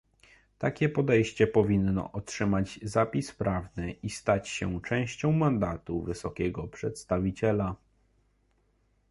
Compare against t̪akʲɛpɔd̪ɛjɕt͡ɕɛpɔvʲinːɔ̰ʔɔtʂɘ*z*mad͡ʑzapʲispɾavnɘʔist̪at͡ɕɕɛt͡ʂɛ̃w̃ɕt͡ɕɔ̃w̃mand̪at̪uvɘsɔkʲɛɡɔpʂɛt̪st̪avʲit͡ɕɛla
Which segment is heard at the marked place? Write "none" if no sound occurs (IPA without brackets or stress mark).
none